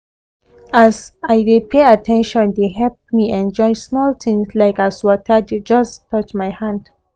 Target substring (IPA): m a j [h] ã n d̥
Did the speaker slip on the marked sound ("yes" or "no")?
no